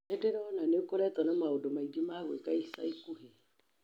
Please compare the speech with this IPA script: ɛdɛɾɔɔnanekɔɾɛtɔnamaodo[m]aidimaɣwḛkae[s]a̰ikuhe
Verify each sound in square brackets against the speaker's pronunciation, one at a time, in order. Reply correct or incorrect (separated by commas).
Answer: correct, correct